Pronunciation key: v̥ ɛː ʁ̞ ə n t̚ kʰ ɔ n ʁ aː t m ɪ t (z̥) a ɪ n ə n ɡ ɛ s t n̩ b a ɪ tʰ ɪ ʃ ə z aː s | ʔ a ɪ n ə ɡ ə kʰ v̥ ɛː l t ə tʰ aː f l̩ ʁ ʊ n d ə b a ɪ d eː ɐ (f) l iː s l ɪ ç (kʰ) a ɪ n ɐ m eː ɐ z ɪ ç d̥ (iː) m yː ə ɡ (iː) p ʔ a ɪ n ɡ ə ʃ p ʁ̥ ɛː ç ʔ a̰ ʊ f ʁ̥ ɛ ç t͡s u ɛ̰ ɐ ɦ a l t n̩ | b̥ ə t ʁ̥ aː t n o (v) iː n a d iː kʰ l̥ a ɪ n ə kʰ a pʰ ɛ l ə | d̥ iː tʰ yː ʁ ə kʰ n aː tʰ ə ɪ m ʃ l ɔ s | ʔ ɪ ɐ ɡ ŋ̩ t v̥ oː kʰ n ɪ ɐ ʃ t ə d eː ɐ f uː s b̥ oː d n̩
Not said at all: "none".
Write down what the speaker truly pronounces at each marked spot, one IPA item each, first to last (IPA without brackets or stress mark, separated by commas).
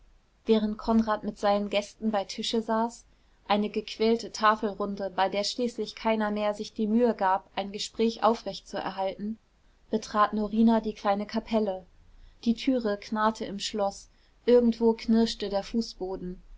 z̥, ʃ, kʰ, iː, aː, ʁ